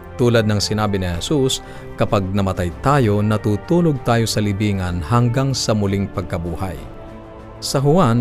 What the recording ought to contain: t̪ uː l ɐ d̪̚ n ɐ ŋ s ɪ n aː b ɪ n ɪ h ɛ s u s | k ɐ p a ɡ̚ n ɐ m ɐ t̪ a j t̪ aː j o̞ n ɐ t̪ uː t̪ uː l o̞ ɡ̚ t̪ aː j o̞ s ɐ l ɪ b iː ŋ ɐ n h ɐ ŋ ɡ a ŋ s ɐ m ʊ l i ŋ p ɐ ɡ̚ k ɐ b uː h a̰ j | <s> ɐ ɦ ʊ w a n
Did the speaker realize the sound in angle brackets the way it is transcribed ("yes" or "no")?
yes